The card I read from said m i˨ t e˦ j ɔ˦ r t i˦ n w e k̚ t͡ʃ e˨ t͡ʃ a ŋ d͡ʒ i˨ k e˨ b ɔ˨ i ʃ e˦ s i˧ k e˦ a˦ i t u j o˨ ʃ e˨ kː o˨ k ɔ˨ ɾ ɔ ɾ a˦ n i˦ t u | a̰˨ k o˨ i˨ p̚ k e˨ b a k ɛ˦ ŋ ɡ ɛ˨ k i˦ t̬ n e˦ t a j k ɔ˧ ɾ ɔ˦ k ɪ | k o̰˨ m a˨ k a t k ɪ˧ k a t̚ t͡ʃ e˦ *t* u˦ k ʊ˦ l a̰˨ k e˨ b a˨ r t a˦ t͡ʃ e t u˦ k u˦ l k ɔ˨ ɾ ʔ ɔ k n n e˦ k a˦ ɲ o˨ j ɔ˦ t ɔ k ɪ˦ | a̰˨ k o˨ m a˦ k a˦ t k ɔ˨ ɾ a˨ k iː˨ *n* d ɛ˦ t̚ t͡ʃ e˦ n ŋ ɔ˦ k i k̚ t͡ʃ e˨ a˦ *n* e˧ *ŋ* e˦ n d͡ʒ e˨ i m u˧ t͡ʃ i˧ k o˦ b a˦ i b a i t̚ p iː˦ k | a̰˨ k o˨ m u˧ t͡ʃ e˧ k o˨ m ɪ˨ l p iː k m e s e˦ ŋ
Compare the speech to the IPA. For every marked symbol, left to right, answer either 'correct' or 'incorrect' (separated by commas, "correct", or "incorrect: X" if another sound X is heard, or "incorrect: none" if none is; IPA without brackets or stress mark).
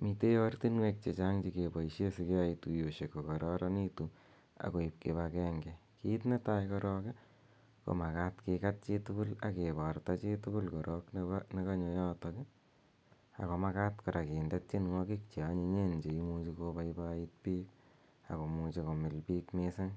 correct, correct, incorrect: ɲ, incorrect: ɲ